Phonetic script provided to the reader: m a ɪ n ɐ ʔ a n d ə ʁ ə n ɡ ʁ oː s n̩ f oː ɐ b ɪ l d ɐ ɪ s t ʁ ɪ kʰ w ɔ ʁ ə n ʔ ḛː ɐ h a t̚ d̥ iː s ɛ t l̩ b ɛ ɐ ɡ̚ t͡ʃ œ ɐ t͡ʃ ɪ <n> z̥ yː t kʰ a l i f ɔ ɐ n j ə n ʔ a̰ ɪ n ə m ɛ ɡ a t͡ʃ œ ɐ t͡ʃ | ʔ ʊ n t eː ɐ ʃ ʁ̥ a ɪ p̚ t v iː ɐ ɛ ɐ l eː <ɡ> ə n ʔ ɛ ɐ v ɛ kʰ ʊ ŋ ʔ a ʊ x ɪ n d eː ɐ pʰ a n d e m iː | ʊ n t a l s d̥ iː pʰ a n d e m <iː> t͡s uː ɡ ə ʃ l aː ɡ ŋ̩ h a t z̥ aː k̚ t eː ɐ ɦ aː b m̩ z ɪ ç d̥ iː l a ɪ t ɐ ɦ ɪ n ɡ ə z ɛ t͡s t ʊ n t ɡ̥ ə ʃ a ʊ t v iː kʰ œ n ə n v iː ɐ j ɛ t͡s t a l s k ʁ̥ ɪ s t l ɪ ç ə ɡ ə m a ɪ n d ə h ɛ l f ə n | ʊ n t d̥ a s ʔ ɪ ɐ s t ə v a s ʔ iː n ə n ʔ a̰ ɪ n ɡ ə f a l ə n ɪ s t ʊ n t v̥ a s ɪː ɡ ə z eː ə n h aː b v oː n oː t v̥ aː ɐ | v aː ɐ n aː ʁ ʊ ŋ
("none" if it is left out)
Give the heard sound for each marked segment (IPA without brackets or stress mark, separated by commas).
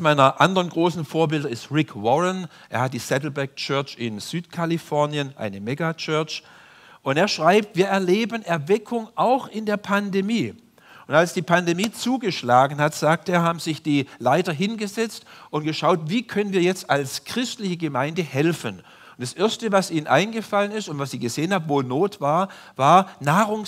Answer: n, b, iː